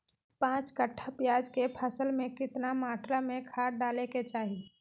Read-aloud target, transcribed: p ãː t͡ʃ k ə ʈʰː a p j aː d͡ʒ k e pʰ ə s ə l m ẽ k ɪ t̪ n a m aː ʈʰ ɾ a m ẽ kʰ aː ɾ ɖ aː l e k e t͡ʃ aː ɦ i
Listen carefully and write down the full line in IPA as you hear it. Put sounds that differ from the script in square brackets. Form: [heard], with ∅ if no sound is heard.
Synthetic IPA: p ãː t͡ʃ k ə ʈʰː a p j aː d͡ʒ k e pʰ ə s ə l m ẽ k ɪ t̪ n a m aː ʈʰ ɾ a m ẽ kʰ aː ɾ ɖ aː l e k e t͡ʃ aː ɦ i